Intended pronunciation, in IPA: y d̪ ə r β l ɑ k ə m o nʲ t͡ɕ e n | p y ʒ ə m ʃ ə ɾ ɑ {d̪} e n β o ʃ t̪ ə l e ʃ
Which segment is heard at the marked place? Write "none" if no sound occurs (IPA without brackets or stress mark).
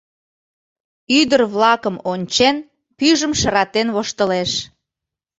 t̪